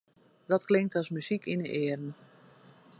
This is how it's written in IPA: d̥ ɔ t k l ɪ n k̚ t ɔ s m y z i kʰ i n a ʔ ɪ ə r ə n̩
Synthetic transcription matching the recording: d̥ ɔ t k l ɪ ŋ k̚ t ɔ s m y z i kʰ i n ə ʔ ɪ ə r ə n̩